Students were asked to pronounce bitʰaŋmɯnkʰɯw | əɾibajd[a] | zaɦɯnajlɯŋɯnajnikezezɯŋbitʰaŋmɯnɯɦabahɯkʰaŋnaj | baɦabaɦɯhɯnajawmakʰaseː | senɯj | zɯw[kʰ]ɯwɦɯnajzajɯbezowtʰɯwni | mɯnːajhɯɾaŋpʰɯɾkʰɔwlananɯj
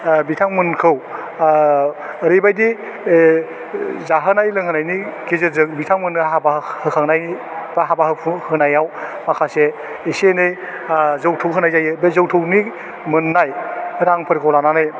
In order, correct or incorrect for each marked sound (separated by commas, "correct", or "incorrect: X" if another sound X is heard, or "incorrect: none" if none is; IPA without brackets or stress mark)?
incorrect: i, incorrect: tʰ